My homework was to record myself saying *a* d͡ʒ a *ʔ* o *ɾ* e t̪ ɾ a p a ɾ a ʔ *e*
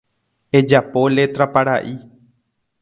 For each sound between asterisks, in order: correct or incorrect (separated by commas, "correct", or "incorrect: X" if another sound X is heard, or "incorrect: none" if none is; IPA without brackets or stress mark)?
incorrect: e, incorrect: p, incorrect: l, incorrect: i